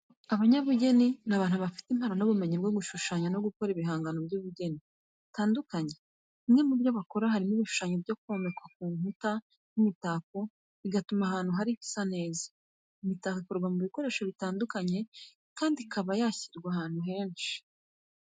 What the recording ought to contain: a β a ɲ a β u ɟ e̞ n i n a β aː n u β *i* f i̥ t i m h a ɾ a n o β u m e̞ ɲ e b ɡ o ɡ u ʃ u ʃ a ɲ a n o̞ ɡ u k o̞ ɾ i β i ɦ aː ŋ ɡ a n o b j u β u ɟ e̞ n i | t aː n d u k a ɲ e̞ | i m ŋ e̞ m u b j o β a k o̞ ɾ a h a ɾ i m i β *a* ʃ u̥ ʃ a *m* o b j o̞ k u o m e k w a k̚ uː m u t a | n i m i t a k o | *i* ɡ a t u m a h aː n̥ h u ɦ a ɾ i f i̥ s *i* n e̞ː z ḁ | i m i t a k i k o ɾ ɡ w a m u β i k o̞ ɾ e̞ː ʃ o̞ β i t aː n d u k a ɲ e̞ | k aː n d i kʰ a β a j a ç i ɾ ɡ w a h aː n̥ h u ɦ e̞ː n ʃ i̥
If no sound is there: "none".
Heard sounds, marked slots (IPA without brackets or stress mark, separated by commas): a, i, ɲ, i, a